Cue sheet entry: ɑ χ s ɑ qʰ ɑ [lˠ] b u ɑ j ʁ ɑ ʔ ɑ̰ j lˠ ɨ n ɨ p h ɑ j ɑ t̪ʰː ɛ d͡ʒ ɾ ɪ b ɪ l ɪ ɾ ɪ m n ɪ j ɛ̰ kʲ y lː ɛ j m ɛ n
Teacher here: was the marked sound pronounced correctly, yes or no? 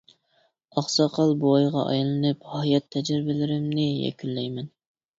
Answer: yes